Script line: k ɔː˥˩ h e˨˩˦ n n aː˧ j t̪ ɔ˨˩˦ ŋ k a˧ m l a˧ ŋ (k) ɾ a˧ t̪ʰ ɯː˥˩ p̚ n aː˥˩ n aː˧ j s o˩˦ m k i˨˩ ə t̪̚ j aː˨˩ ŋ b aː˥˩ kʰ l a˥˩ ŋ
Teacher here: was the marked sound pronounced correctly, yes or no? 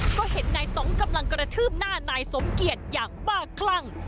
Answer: yes